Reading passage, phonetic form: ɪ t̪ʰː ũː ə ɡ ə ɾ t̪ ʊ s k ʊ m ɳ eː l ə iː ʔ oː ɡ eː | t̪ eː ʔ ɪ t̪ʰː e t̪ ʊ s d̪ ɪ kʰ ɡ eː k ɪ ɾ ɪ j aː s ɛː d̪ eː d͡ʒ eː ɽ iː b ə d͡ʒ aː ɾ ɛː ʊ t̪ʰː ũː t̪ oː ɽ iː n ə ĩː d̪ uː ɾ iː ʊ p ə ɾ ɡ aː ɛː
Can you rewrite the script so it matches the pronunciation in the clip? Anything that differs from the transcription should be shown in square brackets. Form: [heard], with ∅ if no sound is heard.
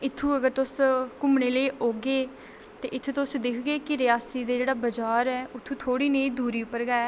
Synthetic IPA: ɪ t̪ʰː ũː ə ɡ ə ɾ t̪ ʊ s k ʊ m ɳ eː l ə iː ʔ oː ɡ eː | t̪ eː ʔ ɪ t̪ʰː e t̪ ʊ s d̪ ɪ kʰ ɡ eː k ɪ ɾ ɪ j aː s [iː] d̪ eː d͡ʒ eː ɽ [aː] b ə d͡ʒ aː ɾ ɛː ʊ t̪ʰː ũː [t̪ʰ] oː ɽ iː n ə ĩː d̪ uː ɾ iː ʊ p ə ɾ ɡ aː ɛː